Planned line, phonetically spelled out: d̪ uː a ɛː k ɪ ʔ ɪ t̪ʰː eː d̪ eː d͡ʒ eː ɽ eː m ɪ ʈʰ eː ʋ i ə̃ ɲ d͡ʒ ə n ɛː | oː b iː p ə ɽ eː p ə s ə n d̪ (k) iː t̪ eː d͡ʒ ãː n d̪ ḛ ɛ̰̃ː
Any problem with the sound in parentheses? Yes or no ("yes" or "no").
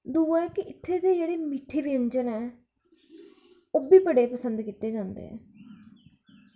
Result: no